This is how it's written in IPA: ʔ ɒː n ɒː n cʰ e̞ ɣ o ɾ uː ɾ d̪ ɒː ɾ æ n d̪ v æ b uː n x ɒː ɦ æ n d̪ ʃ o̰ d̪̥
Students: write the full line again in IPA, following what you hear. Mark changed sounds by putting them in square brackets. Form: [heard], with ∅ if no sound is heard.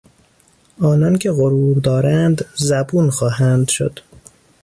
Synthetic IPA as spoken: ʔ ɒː n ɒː n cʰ e̞ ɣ o ɾ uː ɾ d̪ ɒː ɾ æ n d̪ [z] æ b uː n x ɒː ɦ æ n d̪ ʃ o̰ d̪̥